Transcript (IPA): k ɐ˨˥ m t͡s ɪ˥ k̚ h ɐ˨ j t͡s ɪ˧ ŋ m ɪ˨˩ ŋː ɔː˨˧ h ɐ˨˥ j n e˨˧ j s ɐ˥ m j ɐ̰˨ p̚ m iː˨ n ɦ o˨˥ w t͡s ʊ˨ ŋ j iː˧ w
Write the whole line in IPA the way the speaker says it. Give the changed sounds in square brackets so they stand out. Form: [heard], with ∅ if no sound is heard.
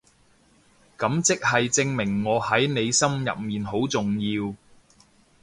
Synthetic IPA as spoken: k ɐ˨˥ m t͡s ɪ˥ k̚ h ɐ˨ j t͡s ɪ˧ ŋ m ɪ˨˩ ŋː ɔː˨˧ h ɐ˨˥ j n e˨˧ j s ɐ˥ m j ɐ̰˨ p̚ m iː˨ n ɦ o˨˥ w t͡s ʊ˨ ŋ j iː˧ w

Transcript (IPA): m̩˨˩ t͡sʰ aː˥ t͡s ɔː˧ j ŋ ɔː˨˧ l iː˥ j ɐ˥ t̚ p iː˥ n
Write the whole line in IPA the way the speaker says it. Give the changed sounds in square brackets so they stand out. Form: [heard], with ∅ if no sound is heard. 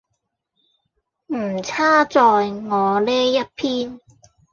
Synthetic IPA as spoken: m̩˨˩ t͡sʰ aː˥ t͡s ɔː˧ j ŋ ɔː˨˧ l [ɛː˥] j ɐ˥ t̚ [pʰ] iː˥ n

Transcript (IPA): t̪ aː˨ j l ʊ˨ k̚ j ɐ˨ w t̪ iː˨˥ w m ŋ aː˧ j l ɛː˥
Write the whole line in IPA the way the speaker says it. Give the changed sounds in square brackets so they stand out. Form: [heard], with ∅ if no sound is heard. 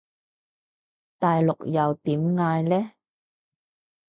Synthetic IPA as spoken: t̪ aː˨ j l ʊ˨ k̚ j ɐ˨ w t̪ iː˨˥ [∅] m ŋ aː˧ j l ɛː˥

